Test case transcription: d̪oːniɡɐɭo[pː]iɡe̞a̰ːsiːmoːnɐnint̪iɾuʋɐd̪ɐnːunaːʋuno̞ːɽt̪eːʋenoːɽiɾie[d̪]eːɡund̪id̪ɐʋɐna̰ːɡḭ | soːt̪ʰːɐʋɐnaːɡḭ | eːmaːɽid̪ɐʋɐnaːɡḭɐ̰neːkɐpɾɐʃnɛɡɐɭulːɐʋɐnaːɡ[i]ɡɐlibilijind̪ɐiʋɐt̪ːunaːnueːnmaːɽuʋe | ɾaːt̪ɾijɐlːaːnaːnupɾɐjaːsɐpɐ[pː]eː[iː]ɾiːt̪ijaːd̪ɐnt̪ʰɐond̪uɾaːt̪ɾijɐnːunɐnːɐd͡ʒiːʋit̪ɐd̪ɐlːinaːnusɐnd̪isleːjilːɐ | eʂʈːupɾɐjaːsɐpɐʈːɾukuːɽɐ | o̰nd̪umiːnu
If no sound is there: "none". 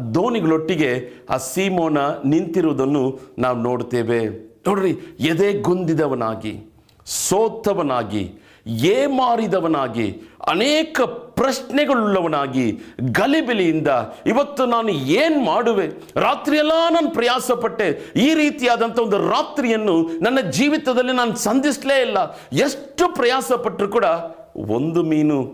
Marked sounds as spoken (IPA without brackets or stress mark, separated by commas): ʈː, d̪, i, ʈː, iː